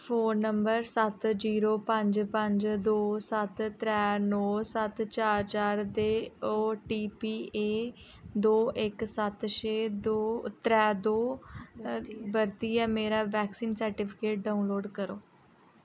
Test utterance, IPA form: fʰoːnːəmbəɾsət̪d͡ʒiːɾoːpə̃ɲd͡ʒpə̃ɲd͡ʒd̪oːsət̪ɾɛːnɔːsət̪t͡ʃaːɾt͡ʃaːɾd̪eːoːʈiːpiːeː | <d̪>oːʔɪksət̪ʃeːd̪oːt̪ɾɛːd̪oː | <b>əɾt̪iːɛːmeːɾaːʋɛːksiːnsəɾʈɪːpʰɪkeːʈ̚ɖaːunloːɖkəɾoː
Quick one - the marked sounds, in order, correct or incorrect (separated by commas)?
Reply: correct, correct